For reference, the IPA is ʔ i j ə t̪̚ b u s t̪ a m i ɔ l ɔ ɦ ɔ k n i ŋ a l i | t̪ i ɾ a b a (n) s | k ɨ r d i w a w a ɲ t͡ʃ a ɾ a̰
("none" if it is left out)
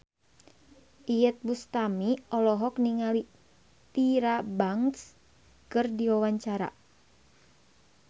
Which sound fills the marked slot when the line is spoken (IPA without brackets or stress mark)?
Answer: ŋ